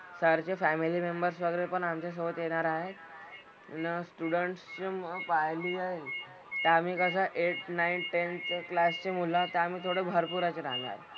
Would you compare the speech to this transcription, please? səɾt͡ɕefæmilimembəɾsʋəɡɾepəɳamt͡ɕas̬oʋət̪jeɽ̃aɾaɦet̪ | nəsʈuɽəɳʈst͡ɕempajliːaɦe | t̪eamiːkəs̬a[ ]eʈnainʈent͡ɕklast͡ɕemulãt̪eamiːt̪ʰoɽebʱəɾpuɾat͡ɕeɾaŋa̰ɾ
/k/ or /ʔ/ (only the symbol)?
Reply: ʔ